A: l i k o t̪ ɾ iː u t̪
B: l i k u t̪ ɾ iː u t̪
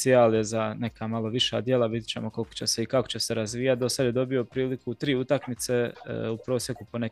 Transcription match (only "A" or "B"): B